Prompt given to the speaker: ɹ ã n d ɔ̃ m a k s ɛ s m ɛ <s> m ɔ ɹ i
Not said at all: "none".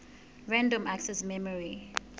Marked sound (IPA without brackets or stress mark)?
none